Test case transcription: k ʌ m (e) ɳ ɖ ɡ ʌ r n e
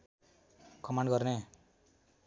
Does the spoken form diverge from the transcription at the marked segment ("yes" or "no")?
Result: yes